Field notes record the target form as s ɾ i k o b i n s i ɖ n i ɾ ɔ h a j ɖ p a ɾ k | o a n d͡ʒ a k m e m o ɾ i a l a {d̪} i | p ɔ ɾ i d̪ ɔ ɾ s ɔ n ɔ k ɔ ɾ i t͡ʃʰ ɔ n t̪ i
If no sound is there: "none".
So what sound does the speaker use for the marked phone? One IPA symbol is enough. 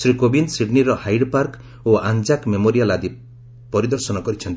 d̪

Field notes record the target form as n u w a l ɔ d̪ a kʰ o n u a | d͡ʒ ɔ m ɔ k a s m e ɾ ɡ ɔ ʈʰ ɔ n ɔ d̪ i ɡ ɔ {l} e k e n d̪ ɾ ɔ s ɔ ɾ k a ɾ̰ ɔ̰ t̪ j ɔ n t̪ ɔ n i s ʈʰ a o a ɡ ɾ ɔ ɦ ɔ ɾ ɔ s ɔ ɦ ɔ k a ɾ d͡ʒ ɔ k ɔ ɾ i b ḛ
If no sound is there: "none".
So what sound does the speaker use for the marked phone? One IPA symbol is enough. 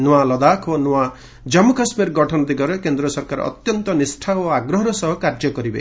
ɾ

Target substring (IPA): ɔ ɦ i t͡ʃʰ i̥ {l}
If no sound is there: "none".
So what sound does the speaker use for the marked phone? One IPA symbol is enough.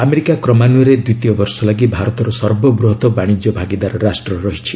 none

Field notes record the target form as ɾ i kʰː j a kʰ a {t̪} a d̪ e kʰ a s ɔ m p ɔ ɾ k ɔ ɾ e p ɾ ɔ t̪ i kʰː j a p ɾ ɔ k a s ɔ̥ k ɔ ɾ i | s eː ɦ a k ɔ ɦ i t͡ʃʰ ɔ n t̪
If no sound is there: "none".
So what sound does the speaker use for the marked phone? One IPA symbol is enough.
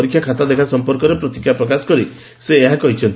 t̪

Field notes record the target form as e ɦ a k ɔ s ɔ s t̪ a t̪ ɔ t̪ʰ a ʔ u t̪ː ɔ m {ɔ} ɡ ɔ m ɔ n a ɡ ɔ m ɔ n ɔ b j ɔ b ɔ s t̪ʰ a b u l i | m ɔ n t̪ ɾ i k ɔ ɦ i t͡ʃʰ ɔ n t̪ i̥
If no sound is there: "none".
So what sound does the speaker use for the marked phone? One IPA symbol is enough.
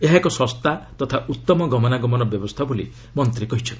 ɔ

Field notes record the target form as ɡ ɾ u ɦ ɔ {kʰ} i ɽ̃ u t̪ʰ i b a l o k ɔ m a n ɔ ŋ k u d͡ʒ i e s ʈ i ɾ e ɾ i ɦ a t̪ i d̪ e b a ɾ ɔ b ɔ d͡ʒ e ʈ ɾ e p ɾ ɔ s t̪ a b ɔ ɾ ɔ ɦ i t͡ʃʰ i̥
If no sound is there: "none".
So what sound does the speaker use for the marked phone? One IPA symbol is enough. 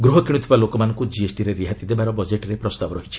k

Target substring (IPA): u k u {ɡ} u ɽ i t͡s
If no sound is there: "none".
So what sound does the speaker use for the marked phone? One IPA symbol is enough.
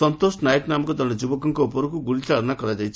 ɡ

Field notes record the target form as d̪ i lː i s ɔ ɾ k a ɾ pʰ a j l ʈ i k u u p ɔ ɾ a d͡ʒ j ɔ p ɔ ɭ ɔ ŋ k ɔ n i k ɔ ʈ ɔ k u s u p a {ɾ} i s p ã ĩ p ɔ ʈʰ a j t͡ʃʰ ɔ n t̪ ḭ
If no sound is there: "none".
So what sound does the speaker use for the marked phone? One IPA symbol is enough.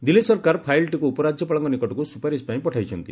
ɾ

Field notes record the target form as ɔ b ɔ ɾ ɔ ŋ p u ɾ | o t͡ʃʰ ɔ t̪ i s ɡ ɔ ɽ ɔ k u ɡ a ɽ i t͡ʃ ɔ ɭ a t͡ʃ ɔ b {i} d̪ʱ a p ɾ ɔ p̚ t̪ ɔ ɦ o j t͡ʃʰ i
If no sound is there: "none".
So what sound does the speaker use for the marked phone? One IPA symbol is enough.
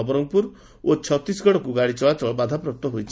a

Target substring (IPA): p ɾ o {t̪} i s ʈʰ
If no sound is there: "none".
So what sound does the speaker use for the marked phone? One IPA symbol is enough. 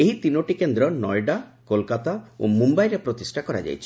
t̪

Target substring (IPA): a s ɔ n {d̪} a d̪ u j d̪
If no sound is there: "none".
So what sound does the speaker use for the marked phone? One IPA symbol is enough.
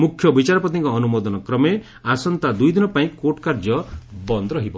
t̪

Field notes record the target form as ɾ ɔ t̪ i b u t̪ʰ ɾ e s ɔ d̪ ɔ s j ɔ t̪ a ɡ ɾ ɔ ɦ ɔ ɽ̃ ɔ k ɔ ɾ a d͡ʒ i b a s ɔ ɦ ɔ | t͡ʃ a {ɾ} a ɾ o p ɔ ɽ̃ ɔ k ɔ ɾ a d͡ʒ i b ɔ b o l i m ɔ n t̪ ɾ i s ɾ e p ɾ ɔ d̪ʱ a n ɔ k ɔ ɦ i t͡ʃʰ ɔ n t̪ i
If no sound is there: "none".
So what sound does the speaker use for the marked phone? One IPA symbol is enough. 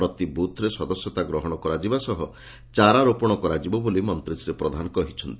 ɾ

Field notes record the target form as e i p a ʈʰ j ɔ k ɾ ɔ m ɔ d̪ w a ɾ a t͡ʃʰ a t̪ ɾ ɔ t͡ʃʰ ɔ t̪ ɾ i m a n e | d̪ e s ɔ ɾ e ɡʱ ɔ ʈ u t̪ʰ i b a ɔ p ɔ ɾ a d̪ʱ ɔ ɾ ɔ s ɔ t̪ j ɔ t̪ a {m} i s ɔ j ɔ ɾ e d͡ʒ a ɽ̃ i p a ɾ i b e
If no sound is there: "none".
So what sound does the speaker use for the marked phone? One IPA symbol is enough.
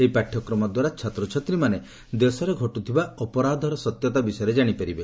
b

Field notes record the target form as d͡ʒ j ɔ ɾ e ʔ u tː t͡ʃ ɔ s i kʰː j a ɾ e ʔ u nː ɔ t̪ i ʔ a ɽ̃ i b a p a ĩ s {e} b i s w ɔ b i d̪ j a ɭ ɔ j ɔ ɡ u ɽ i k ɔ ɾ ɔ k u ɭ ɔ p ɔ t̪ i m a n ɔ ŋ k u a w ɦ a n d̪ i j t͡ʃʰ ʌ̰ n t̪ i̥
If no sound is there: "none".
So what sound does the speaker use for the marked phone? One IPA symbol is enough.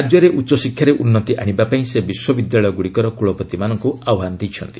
e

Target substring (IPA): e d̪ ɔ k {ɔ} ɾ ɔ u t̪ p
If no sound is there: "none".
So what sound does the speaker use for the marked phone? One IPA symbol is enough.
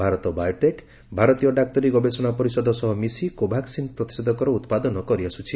ɔ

